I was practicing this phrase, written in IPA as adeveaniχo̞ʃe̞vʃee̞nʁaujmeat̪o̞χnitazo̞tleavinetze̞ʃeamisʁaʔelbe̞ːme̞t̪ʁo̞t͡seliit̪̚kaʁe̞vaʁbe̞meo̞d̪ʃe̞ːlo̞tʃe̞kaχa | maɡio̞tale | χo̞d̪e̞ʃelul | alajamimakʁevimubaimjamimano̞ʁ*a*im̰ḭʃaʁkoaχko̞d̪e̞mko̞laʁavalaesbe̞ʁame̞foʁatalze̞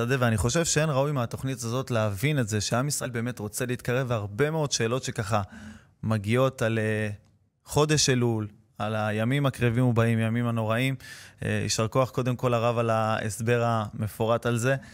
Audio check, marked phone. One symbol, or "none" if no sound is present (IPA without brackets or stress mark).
a